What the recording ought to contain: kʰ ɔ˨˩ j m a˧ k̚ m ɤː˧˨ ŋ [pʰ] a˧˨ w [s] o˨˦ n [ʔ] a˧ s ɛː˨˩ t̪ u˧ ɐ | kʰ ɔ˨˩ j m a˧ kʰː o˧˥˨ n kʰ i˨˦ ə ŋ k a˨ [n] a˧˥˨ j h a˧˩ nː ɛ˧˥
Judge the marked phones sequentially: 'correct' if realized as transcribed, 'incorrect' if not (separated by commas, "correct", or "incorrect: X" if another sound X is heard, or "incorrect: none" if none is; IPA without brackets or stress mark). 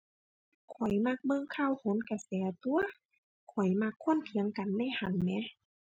incorrect: kʰ, incorrect: h, incorrect: k, incorrect: nː